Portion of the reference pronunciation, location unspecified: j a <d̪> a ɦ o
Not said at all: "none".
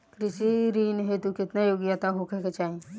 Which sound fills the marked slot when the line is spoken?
t̪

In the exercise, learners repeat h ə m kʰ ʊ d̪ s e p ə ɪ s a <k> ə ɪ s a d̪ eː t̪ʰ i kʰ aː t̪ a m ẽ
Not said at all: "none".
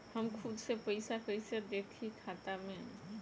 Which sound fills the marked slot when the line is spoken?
p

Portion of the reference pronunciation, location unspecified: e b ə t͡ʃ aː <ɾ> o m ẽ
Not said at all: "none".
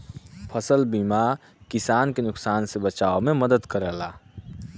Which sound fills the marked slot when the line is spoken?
none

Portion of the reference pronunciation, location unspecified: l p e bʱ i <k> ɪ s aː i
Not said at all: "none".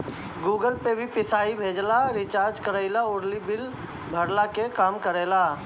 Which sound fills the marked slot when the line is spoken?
p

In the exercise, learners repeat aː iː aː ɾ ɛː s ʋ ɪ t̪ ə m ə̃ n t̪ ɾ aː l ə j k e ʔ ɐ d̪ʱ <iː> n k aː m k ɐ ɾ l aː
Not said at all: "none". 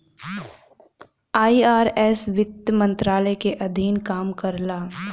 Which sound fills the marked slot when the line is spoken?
iː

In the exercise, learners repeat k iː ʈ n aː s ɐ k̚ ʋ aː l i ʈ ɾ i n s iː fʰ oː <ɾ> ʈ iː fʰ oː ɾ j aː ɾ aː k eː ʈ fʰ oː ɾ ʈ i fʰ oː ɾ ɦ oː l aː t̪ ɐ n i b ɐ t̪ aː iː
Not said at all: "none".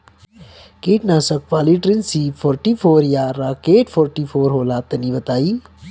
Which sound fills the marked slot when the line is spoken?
ɾ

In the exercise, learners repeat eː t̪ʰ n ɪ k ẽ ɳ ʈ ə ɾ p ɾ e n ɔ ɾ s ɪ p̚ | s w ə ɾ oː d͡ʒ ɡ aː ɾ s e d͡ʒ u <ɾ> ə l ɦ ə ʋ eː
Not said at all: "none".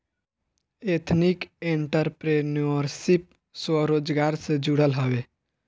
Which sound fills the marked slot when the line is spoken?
ɽ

